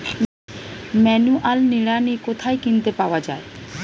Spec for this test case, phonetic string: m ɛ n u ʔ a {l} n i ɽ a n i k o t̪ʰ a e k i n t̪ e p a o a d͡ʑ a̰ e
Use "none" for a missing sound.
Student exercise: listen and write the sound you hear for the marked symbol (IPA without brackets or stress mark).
l